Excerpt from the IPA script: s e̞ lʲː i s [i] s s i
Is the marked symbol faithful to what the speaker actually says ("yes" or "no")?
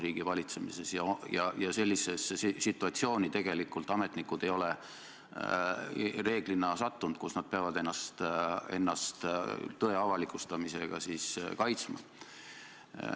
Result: no